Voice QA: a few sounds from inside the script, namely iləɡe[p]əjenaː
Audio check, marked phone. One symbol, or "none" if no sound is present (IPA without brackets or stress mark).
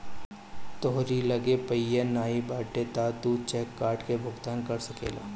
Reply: p